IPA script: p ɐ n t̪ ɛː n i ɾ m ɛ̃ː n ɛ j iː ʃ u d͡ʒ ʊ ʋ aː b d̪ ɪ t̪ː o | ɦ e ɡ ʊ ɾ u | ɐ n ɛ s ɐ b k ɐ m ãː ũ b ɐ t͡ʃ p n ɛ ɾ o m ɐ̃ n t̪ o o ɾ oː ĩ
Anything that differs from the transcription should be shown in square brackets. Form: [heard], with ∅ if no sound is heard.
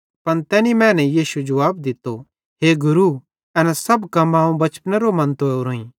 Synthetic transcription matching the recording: p ɐ n t̪ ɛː n i [∅] m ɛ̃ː n ɛ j iː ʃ u d͡ʒ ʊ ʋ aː b d̪ ɪ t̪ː o | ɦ e ɡ ʊ ɾ u | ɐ n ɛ s ɐ b k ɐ m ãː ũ b ɐ t͡ʃ p n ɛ ɾ o m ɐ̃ n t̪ o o ɾ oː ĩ